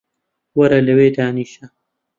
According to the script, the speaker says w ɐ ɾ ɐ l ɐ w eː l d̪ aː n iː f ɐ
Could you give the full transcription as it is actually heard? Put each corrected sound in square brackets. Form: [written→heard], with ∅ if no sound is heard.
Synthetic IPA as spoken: w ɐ ɾ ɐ l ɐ w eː [l→∅] d̪ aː n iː [f→ʃ] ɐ